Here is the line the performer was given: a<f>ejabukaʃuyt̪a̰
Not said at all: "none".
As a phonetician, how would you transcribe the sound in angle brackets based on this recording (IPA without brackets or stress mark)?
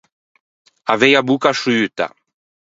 v